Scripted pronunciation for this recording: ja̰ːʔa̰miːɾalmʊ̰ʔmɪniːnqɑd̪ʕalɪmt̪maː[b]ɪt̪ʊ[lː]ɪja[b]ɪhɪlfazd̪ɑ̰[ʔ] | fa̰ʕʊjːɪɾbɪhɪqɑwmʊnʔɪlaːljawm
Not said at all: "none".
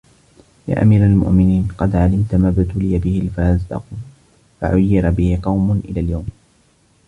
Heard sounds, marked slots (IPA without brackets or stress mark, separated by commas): b, l, b, q